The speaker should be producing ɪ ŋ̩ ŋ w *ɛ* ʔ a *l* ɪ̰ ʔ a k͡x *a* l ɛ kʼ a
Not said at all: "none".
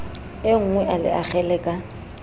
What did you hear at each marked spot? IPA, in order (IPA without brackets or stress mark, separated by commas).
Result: ɛ, l, ɛ